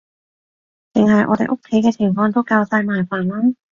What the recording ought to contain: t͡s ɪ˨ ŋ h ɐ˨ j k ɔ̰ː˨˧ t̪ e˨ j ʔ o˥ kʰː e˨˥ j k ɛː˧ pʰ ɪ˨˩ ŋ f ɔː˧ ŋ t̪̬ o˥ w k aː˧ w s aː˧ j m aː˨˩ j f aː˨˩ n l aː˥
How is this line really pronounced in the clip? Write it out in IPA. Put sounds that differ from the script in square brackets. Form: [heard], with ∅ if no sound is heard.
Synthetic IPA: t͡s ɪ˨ ŋ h ɐ˨ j [ʔ] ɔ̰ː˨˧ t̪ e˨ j ʔ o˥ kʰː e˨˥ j k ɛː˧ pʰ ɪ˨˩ ŋ f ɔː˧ ŋ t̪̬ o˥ w k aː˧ w s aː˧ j m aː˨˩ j f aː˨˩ n l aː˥